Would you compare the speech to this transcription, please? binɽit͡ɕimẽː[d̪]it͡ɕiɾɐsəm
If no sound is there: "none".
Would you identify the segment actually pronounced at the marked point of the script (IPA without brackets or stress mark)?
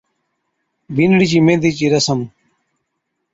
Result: d̪